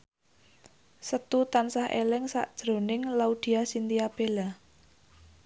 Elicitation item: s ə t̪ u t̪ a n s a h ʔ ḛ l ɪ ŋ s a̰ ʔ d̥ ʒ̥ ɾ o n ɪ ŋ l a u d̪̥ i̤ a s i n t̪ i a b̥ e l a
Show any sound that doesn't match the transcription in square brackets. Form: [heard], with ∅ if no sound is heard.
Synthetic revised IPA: s ə t̪ u t̪ a n s a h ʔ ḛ l ɪ ŋ s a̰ ʔ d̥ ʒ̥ ɾ o n ɪ ŋ l a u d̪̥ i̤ a s i n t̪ i a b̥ e l a